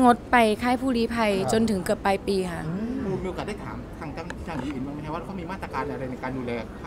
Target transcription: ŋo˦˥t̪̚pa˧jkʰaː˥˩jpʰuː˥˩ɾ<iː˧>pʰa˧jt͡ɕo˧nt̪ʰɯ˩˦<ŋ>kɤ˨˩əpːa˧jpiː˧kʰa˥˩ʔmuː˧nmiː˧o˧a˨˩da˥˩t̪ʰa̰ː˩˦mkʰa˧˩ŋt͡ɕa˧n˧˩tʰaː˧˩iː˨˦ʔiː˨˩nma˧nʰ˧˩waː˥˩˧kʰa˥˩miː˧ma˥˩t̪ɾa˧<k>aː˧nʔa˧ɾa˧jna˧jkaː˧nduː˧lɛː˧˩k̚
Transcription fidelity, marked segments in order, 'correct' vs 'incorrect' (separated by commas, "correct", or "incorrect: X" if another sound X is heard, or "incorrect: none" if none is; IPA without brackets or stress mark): incorrect: iː˦˥, correct, correct